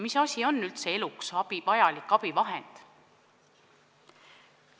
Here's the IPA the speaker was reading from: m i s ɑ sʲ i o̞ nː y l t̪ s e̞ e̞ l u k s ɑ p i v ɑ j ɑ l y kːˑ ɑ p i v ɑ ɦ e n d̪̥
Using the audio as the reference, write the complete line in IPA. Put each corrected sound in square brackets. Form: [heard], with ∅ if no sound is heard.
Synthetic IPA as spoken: m i s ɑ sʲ i o̞ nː y l t̪ s e̞ e̞ l u k s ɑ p i v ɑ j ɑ l [i] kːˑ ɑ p i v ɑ ɦ e n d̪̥